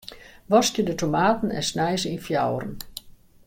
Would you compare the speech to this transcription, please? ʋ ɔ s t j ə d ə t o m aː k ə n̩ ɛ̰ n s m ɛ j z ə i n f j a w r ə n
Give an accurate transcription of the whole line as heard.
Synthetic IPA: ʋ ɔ s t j ə d ə t o m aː t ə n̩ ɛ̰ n s n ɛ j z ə i n f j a w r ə n